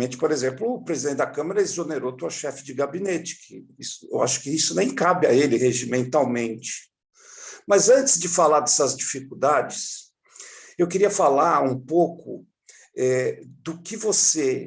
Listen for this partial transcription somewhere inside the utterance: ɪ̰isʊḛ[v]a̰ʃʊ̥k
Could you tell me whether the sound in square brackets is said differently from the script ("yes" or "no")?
yes